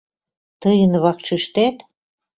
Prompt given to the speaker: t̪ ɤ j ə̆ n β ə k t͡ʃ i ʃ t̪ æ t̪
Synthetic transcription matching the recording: t̪ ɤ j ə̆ n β ɑ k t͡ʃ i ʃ t̪ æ t̪

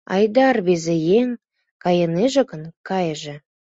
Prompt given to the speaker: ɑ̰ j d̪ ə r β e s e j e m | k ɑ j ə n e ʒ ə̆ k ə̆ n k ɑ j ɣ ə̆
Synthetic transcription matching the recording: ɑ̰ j d̪ ɑ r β e z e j e ŋ | k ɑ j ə n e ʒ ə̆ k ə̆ n k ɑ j ʒ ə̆

